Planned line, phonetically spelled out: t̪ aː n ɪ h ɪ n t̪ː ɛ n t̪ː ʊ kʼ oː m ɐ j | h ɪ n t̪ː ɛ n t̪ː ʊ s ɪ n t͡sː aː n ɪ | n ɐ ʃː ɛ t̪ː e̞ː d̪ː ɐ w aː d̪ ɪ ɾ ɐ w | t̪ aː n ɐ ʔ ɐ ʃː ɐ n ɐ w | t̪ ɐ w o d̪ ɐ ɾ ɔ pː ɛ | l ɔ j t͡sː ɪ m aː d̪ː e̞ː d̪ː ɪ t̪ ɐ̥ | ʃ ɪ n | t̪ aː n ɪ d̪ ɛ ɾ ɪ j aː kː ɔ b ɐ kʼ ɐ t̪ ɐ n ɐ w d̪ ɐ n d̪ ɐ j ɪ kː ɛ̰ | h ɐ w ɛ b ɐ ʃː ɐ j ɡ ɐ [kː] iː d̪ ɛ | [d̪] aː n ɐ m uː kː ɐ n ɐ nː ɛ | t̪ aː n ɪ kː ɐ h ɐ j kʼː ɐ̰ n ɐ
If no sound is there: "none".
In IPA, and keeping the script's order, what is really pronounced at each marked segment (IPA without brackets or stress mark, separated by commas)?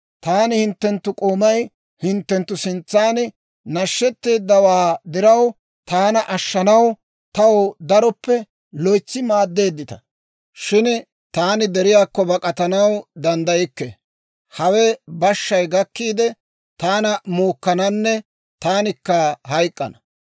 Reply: kː, t̪